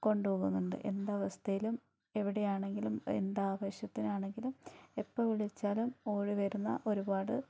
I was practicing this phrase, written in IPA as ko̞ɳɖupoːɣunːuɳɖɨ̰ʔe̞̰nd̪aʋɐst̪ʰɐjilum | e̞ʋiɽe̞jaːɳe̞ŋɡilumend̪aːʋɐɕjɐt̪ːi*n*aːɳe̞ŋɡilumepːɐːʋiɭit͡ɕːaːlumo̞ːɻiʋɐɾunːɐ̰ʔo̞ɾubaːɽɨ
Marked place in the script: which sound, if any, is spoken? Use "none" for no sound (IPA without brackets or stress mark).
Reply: n